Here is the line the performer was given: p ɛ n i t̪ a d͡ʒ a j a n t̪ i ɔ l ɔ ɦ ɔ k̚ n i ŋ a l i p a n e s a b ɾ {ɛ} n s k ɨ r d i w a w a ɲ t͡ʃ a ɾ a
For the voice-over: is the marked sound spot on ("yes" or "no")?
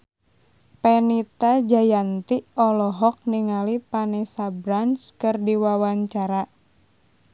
no